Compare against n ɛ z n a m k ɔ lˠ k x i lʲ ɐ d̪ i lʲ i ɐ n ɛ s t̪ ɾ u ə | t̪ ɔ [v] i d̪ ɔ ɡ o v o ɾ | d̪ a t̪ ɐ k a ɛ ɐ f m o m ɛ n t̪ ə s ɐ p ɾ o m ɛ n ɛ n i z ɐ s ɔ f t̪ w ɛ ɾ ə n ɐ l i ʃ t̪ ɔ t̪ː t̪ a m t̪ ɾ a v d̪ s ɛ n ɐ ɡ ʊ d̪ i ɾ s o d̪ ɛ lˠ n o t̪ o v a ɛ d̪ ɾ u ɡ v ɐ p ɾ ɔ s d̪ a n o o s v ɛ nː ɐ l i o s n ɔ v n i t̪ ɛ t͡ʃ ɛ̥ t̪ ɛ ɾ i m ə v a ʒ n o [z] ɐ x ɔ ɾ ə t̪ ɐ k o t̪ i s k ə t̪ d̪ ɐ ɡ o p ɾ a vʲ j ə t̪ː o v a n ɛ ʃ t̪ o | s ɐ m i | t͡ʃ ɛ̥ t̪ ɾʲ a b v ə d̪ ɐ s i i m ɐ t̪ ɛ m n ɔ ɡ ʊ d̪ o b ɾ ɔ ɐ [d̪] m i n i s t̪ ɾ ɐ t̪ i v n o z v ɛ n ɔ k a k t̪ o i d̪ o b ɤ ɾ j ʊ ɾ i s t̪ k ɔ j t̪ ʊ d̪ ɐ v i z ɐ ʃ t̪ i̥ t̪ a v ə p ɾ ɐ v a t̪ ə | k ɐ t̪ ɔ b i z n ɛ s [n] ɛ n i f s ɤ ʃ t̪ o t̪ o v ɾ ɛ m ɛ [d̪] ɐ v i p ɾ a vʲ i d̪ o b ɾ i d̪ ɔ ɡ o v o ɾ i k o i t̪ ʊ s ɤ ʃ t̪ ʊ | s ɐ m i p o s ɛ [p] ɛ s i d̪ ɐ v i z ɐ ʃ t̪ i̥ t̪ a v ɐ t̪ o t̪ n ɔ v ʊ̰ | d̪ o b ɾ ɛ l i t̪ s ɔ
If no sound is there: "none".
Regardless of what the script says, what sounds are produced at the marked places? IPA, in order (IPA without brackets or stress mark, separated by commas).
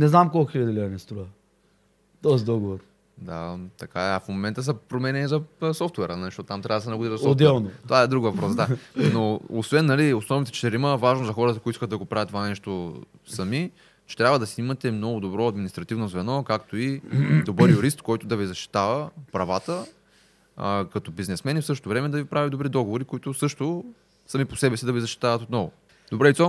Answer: z, z, d̪, m, d̪, b